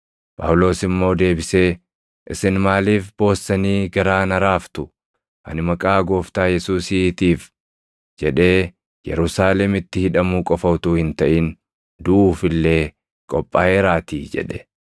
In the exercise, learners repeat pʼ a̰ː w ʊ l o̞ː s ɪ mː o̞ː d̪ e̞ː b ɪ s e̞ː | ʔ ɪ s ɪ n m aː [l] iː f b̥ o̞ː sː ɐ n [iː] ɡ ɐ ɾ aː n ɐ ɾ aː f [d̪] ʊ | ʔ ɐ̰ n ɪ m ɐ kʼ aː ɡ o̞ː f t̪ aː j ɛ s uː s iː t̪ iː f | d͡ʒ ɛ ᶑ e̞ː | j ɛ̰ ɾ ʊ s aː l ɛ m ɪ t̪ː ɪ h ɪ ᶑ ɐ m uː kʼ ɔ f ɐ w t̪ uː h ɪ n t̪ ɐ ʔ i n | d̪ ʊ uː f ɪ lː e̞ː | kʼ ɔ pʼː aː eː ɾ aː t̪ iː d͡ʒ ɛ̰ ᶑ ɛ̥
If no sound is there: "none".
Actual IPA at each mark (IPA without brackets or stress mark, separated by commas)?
l, iː, t̪